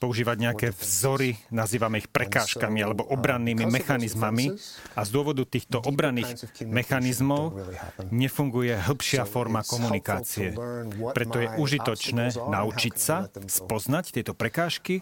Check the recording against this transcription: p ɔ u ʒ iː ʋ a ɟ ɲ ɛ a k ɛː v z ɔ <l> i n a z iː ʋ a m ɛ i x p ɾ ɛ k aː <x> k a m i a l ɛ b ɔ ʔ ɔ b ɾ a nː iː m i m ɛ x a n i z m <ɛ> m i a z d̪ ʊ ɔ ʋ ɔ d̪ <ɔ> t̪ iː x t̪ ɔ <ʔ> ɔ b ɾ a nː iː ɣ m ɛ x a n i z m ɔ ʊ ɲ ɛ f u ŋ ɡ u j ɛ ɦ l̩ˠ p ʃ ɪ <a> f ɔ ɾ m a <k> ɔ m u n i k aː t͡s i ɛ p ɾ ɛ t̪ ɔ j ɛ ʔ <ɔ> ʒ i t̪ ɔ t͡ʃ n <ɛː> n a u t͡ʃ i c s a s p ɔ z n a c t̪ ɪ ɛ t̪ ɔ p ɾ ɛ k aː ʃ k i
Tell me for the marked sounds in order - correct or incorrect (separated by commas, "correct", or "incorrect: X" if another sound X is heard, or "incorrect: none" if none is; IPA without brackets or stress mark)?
incorrect: ɾ, incorrect: ʃ, incorrect: a, incorrect: u, correct, correct, correct, incorrect: u, correct